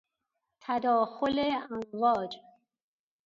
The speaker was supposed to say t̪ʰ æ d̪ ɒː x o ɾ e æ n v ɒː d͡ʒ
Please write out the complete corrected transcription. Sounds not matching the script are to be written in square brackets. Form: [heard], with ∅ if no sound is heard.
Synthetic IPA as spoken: t̪ʰ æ d̪ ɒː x o [l] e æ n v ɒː d͡ʒ